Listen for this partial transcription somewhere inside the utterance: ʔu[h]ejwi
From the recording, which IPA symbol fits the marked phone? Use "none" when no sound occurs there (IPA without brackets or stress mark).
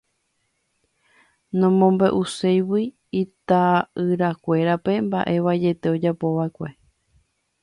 s